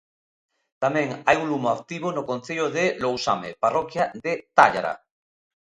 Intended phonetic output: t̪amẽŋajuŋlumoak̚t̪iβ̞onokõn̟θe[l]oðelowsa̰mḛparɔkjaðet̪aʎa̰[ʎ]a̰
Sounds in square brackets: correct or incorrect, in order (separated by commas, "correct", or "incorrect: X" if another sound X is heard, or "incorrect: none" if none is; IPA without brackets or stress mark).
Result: incorrect: ʎ, incorrect: ɾ